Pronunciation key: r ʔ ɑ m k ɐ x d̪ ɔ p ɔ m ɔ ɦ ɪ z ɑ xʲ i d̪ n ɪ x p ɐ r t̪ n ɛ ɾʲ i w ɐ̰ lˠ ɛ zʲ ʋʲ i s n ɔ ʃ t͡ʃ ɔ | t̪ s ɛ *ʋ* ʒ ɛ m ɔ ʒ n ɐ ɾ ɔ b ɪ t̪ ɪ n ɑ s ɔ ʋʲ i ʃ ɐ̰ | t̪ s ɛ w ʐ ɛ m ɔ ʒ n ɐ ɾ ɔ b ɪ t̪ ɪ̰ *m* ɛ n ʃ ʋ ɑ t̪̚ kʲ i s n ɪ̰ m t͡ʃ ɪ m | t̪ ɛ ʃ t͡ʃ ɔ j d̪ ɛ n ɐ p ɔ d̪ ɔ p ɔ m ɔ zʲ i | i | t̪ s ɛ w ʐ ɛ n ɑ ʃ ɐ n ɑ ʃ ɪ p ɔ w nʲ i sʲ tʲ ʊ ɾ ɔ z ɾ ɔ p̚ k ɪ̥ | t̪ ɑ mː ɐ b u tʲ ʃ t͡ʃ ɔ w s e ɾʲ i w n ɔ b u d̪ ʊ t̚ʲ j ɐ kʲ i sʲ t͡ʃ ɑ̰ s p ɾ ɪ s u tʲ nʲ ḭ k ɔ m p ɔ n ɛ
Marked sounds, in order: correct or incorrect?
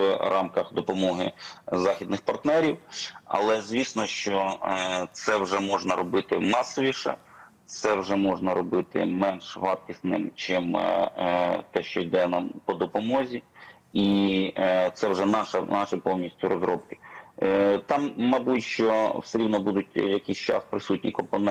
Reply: incorrect: w, correct

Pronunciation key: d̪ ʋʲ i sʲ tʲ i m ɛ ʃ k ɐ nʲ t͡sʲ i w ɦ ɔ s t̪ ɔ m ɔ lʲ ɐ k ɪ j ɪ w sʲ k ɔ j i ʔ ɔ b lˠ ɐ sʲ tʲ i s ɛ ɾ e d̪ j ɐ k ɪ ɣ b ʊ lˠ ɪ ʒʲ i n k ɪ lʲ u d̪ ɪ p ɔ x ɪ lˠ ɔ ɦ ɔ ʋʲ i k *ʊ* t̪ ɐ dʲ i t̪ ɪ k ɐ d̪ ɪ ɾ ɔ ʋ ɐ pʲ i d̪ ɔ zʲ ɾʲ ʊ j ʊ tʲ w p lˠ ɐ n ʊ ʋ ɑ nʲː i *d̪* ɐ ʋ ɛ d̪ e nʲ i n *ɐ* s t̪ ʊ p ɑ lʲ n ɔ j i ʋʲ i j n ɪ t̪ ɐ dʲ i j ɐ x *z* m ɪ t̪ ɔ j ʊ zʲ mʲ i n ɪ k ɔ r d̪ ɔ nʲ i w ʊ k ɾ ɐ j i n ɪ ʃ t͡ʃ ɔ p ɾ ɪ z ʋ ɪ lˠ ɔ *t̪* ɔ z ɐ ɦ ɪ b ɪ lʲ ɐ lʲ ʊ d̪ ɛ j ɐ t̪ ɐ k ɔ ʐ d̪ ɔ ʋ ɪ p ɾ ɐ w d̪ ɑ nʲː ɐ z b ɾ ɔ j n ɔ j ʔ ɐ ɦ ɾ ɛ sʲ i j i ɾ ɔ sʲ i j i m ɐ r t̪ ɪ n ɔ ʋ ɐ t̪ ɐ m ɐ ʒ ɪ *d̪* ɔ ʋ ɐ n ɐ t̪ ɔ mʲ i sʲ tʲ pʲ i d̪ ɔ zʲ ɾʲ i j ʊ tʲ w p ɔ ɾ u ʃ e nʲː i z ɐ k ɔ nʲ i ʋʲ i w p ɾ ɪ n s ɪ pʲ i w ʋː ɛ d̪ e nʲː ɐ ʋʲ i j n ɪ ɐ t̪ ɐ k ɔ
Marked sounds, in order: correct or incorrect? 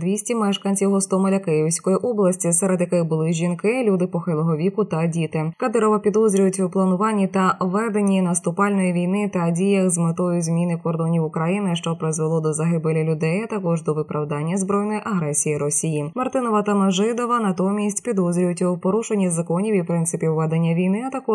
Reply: correct, incorrect: t̪, correct, correct, incorrect: d̪, correct

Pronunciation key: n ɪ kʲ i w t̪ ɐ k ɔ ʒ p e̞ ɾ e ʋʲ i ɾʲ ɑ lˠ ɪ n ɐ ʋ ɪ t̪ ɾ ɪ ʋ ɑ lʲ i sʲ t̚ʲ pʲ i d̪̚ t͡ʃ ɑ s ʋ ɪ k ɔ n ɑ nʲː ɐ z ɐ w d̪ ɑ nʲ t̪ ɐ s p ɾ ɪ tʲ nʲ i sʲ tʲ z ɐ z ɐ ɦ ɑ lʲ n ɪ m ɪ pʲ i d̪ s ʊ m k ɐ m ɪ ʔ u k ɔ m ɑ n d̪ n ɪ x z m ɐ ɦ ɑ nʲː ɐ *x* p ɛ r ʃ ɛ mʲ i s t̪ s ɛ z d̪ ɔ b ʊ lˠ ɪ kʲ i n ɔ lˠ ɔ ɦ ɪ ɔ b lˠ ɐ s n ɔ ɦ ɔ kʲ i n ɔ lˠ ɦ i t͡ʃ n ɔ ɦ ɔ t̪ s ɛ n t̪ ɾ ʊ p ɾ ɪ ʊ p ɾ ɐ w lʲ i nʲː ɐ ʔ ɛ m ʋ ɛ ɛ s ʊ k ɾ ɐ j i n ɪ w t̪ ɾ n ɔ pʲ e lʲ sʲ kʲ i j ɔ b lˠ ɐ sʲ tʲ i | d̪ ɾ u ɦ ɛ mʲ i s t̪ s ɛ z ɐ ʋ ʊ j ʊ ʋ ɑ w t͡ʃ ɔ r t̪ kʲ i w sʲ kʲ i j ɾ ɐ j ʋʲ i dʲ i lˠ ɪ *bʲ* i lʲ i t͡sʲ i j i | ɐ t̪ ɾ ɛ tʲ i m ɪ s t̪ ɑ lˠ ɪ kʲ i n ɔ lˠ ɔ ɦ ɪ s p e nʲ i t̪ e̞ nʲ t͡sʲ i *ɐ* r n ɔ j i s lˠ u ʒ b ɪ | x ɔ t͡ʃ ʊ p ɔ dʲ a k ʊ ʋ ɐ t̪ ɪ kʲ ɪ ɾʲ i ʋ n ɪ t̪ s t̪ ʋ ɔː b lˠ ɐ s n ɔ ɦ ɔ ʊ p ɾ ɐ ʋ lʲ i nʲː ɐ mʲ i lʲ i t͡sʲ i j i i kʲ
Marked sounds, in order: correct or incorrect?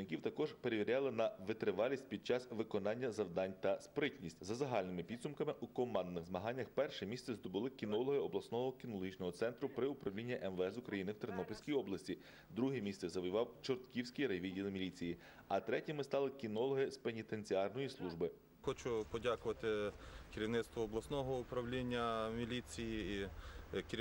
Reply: correct, incorrect: mʲ, incorrect: ɑ

